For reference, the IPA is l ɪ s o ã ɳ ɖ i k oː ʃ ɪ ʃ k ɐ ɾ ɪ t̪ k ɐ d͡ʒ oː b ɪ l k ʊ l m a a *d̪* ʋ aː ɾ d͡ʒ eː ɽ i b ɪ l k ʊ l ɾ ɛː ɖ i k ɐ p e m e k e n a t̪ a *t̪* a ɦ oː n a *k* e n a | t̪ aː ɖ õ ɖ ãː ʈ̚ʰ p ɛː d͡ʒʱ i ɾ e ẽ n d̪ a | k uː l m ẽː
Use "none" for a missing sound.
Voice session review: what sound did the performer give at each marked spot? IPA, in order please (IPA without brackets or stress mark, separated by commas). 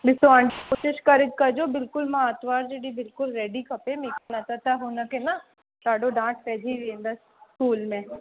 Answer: t̪, t̪, k